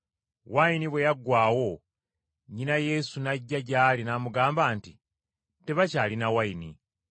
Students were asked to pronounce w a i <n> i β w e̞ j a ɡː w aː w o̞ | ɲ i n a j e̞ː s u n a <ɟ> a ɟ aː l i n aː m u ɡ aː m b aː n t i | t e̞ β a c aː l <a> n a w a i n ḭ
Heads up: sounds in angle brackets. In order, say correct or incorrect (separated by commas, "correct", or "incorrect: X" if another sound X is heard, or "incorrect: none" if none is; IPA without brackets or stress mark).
correct, incorrect: ɟː, incorrect: i